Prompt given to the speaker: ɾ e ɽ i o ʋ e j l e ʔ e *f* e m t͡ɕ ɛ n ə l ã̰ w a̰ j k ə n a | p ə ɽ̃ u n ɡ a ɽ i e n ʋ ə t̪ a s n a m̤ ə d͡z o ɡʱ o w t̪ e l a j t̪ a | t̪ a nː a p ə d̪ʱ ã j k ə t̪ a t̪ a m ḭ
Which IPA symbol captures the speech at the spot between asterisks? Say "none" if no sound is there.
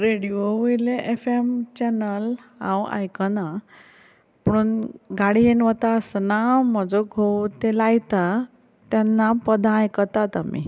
f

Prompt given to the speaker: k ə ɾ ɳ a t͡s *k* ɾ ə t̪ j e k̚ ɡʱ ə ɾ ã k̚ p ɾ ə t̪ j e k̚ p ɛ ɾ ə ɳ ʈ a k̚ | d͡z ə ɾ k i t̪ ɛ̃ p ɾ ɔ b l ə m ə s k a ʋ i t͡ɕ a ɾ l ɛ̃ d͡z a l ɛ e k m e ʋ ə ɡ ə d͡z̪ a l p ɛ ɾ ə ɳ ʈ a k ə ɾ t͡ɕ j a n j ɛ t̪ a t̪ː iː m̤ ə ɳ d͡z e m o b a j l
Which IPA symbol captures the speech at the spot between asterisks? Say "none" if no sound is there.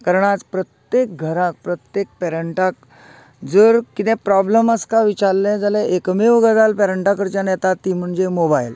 p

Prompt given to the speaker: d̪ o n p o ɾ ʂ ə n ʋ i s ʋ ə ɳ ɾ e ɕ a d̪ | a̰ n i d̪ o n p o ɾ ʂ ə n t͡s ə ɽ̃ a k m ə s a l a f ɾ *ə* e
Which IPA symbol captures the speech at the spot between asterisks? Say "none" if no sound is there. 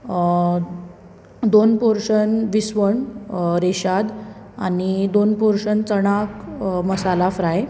a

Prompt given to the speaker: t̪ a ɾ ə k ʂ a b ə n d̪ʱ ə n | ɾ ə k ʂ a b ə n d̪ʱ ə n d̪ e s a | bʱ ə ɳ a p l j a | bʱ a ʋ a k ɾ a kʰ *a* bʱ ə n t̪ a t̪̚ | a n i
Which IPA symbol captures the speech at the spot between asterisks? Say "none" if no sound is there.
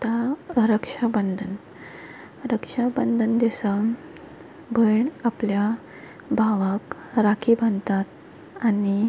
i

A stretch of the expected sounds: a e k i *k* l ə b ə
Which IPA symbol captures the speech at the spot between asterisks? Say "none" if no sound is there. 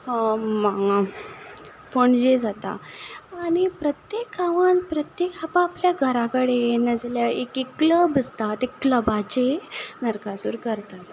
k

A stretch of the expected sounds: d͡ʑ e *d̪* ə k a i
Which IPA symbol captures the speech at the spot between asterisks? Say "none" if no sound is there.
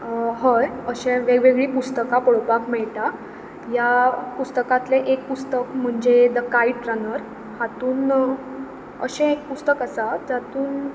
d̪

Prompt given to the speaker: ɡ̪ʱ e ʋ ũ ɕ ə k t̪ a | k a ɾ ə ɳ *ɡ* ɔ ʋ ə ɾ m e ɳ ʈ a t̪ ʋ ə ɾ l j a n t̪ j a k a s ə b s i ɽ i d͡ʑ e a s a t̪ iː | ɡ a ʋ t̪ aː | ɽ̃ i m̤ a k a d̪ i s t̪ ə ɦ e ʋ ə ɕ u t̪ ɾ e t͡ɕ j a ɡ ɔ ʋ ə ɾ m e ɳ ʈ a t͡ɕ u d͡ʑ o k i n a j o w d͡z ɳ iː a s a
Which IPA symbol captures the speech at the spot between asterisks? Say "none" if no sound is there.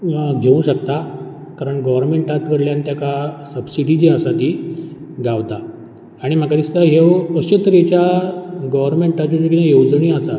ɡ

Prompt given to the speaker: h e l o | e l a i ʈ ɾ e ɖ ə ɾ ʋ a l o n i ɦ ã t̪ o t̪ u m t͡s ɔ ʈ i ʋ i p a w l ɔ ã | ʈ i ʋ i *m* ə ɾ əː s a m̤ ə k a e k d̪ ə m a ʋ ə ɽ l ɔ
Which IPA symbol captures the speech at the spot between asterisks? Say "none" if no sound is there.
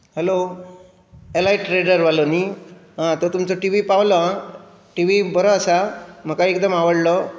b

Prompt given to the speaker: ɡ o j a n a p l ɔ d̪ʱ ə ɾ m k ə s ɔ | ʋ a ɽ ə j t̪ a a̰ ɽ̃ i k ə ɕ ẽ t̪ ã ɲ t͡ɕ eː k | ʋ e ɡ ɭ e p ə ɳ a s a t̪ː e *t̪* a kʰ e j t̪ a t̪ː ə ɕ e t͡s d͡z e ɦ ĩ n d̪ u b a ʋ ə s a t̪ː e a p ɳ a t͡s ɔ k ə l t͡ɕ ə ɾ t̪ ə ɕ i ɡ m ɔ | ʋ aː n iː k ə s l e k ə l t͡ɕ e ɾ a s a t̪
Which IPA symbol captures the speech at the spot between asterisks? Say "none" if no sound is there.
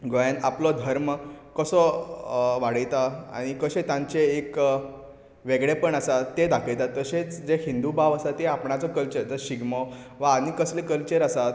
d̪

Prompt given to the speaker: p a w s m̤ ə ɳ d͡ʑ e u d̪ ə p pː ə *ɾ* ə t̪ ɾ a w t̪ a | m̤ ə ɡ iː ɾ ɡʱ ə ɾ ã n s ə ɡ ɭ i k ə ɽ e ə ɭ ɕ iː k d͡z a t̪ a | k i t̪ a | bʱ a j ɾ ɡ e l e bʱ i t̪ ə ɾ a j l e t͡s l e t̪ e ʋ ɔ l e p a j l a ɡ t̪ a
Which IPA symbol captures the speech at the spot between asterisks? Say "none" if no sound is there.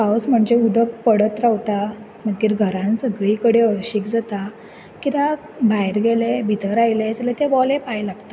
ɽ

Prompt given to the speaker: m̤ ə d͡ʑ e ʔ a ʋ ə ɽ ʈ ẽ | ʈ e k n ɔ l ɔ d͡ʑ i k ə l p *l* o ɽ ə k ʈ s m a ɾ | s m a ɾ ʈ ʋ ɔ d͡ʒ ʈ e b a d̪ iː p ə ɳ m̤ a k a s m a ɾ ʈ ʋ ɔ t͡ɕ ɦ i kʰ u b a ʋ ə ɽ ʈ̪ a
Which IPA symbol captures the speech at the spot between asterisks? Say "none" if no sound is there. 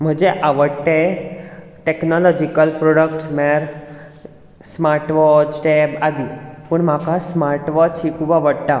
ɾ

